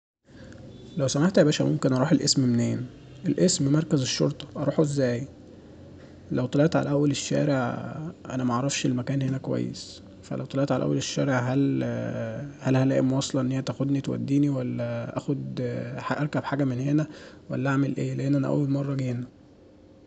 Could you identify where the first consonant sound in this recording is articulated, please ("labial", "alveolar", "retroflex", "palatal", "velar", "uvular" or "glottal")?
alveolar